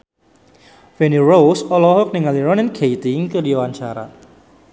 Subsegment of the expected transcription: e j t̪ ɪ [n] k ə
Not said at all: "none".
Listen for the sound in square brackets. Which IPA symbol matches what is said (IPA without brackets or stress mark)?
ŋ